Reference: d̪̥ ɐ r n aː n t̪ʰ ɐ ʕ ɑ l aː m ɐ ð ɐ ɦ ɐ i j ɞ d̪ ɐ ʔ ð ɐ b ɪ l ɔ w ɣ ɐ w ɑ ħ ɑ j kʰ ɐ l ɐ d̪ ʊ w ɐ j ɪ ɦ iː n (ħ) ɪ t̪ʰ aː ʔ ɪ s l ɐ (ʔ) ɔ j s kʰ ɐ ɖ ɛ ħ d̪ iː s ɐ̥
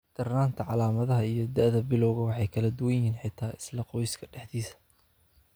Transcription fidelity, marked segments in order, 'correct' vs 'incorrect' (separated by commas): correct, incorrect